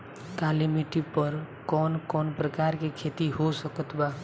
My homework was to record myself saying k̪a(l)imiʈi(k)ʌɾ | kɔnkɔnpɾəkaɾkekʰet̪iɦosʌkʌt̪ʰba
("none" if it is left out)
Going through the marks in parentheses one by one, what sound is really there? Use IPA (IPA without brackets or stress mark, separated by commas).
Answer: l, p